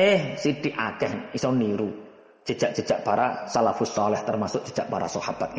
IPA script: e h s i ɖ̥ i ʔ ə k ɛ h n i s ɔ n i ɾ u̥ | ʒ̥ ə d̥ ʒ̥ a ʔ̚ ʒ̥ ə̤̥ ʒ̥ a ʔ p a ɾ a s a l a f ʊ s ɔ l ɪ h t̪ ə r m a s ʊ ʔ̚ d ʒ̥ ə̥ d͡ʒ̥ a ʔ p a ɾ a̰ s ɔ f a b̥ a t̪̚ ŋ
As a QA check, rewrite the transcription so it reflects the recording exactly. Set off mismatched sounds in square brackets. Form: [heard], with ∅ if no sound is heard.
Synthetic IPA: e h s i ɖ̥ i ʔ [a] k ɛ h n i s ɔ n i ɾ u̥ | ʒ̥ ə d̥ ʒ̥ a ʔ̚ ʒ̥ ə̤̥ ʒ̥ a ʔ p a ɾ a s a l a f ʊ s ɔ l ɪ h t̪ ə r m a s ʊ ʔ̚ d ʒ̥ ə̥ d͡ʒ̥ a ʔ p a ɾ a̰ s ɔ [h] a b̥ a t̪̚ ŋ